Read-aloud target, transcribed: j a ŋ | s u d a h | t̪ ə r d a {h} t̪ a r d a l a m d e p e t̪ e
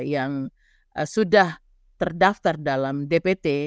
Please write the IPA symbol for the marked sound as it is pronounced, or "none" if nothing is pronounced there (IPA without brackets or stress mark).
f